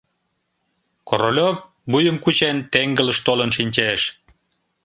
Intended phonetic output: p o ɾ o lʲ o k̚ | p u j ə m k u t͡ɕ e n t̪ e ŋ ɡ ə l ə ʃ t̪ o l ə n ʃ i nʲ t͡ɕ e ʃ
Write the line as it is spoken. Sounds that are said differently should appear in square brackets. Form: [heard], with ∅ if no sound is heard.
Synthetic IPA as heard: [k] o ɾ o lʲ o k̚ | [b] u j ə m k u t͡ɕ e n t̪ e ŋ ɡ ə l ə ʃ t̪ o l ə n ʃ i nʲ t͡ɕ e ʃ